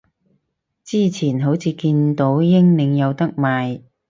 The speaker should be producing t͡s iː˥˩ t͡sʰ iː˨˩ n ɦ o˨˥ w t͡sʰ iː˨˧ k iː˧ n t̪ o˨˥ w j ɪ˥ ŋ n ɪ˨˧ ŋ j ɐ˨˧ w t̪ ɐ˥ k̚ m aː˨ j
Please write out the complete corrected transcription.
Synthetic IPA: t͡s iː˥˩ t͡sʰ iː˨˩ n ɦ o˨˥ w t͡sʰ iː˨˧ k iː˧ n t̪ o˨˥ w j ɪ˥ ŋ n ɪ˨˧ ŋ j ɐ˨˧ w t̪ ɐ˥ k̚ m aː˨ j